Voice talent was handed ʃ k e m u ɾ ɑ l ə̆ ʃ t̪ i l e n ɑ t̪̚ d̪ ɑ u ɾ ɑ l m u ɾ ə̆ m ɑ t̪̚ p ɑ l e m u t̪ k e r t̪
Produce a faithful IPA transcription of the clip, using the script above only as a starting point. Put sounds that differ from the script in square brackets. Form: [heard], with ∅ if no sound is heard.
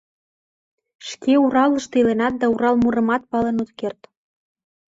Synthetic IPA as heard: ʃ k e [∅] u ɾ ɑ l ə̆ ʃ t̪ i l e n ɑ t̪̚ d̪ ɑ u ɾ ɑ l m u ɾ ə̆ m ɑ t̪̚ p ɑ l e [n] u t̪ k e r t̪